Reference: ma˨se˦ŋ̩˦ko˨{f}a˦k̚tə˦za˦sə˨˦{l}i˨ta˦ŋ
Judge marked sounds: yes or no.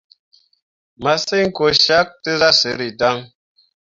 no, no

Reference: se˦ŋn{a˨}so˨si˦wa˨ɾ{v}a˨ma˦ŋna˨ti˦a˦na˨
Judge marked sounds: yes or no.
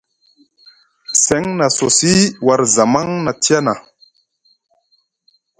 yes, no

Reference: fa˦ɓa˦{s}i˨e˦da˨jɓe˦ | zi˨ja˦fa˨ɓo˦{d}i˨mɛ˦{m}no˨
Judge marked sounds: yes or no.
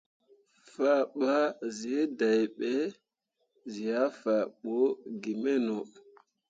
no, no, no

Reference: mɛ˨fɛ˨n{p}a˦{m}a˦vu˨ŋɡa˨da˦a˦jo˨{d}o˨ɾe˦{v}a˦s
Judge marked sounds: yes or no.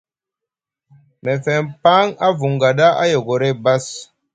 yes, no, no, no

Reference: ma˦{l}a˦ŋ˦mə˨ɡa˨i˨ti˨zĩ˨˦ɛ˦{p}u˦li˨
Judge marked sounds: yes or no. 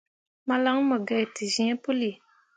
yes, yes

